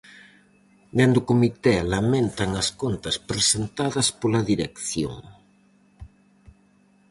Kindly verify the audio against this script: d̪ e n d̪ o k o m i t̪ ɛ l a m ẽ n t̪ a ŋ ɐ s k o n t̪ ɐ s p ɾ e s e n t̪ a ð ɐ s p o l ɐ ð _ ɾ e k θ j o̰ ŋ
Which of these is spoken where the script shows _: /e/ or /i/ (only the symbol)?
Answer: i